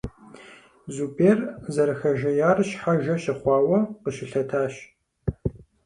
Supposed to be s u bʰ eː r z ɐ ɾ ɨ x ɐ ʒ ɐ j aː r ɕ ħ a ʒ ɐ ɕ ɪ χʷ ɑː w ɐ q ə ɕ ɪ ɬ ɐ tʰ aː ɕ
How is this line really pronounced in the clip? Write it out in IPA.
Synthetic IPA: z u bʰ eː r z ɐ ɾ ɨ x ɐ ʒ ɐ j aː r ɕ ħ a ʒ ɐ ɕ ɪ χʷ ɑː w ɐ q ə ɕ ɪ ɬ ɐ tʰ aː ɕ